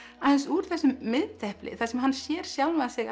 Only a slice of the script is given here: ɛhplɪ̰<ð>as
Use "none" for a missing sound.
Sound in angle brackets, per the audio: θ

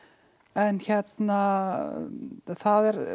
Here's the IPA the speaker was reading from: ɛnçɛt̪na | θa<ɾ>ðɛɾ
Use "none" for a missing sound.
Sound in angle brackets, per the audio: none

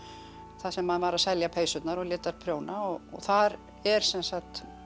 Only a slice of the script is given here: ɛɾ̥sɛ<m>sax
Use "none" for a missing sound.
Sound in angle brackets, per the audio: n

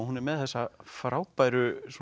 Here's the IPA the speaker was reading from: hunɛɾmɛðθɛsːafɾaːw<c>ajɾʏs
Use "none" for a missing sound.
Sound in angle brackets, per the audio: p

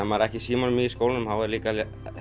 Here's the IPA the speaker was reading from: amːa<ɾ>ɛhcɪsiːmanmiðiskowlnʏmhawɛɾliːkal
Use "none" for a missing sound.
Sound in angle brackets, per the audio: ɾ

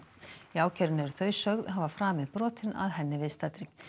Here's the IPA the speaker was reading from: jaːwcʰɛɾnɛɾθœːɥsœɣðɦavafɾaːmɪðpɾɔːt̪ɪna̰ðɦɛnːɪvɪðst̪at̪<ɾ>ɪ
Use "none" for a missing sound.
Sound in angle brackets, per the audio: ɾ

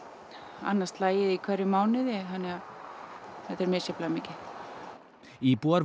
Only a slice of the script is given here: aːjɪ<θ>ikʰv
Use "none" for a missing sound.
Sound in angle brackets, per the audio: ð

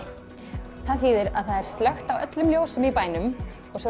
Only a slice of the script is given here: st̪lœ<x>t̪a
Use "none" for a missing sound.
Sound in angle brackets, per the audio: x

